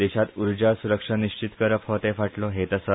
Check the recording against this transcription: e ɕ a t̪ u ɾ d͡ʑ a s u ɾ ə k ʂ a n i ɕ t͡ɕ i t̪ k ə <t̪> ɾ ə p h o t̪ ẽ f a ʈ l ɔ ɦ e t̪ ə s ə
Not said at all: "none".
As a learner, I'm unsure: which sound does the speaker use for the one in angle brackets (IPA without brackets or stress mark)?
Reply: none